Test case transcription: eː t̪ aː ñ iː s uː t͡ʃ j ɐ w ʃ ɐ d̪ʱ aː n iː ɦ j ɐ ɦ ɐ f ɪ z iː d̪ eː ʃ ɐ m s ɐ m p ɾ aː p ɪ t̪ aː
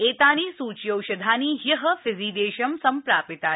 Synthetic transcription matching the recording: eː t̪ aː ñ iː s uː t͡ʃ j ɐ w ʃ ɐ d̪ʱ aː n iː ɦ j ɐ ɦ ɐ f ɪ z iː d̪ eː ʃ ɐ m s ɐ m p ɾ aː p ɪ t̪ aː